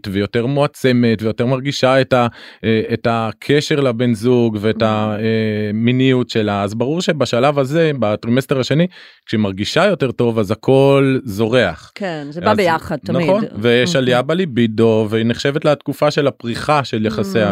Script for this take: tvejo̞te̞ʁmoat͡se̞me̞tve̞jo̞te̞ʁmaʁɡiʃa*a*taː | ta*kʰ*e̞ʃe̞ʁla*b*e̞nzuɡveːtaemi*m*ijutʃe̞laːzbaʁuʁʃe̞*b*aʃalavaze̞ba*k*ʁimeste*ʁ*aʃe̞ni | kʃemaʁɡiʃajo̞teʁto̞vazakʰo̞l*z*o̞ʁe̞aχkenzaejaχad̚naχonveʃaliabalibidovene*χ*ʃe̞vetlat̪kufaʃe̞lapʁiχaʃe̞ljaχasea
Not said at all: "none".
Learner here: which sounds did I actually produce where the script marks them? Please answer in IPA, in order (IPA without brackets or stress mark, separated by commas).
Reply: e, kʰ, b, n, b, t, ʁ, z, χ